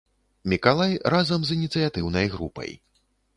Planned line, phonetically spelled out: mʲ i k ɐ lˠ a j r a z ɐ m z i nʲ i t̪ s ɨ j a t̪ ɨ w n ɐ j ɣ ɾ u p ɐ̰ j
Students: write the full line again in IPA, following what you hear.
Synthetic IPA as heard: mʲ i k a lˠ a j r a z ɐ m z i nʲ i t̪ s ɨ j a t̪ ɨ w n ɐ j ɣ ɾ u p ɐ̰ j